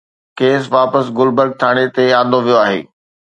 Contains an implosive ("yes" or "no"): no